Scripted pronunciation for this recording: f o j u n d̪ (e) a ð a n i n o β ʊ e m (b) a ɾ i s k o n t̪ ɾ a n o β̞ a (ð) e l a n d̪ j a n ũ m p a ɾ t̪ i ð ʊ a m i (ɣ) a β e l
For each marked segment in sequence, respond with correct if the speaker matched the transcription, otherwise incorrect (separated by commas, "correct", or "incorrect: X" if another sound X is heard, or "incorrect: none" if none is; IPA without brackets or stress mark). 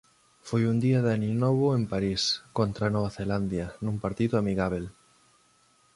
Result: incorrect: i, incorrect: p, incorrect: θ, correct